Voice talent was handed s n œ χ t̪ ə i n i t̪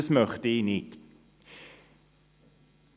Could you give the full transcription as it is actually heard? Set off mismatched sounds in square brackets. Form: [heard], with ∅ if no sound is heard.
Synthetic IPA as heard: s [m] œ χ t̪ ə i n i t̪